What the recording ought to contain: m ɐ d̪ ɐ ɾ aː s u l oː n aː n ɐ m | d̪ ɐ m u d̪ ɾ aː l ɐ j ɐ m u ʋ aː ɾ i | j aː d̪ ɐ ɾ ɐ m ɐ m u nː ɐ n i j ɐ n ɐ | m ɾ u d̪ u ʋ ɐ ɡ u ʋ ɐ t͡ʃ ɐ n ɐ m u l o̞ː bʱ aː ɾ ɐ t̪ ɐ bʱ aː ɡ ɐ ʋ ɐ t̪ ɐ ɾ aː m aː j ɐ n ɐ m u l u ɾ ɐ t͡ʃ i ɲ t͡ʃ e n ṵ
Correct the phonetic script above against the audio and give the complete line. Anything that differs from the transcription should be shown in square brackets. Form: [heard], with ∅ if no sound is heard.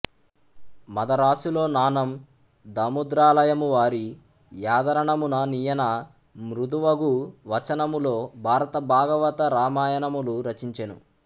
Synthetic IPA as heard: m ɐ d̪ ɐ ɾ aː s u l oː n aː n ɐ m | d̪ ɐ m u d̪ ɾ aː l ɐ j ɐ m u ʋ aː ɾ i | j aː d̪ ɐ ɾ ɐ [ɳ] ɐ m u [n] ɐ n i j ɐ n ɐ | m ɾ u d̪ u ʋ ɐ ɡ u ʋ ɐ t͡ʃ ɐ n ɐ m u l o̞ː bʱ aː ɾ ɐ t̪ ɐ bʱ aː ɡ ɐ ʋ ɐ t̪ ɐ ɾ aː m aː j ɐ n ɐ m u l u ɾ ɐ t͡ʃ i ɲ t͡ʃ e n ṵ